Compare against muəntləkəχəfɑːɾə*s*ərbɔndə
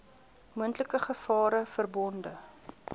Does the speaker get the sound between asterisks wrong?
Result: yes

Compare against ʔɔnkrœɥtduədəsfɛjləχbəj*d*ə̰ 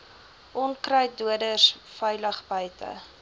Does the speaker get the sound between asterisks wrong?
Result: yes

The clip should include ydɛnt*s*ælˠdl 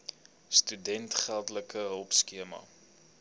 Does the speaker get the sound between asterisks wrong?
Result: yes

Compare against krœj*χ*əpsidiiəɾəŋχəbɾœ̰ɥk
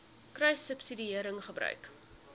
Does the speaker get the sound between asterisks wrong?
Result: yes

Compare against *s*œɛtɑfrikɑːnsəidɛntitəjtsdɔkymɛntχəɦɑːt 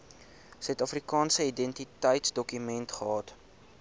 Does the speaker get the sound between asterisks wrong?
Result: no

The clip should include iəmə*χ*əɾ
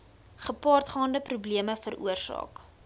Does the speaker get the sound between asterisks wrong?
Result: yes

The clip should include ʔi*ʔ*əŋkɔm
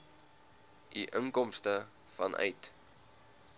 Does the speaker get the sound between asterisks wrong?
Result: no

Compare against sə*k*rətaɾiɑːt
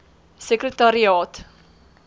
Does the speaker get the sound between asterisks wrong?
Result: no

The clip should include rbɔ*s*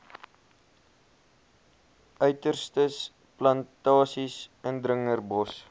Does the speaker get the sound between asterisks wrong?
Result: no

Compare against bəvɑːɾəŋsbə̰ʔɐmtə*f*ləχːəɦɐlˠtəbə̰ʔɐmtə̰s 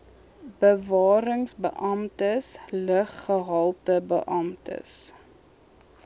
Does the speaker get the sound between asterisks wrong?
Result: yes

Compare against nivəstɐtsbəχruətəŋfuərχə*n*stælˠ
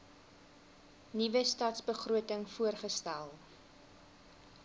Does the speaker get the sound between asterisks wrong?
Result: yes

